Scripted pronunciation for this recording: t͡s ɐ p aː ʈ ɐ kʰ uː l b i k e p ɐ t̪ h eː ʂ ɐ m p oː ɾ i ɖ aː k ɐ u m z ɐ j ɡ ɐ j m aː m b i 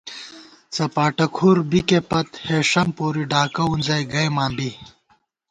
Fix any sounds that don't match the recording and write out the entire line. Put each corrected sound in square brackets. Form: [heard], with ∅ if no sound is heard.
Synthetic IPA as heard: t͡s ɐ p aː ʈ ɐ kʰ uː [ɾ] b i k e p ɐ t̪ h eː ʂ ɐ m p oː ɾ i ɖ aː k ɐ u [n] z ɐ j ɡ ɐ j m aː m b i